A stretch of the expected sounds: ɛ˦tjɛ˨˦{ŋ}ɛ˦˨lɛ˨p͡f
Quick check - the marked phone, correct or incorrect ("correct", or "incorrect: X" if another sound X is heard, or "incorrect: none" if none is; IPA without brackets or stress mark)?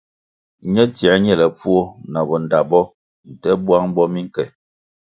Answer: incorrect: ɲ